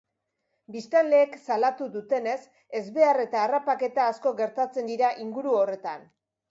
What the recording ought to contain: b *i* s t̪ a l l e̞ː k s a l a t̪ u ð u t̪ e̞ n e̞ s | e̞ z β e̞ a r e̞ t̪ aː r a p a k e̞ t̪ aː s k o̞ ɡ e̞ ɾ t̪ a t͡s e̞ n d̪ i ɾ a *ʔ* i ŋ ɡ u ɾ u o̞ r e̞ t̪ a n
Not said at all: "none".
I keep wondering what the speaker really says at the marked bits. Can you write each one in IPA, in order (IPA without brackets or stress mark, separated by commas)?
i, ʔ